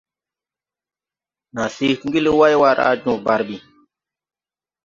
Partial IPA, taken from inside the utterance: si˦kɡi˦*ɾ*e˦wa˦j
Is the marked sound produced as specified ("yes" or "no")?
no